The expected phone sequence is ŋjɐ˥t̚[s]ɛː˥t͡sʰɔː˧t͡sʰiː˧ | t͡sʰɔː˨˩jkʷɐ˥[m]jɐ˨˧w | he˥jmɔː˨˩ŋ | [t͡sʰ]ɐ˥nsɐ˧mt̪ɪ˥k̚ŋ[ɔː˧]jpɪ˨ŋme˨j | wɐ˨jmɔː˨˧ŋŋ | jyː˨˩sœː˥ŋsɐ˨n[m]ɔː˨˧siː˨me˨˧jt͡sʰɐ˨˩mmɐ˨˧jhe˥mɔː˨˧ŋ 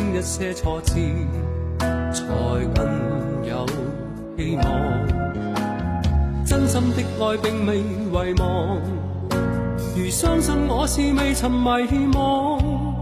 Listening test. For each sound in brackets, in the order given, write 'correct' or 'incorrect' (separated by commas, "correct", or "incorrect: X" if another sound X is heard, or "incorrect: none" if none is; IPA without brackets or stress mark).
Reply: correct, incorrect: n, incorrect: t͡s, correct, incorrect: ŋ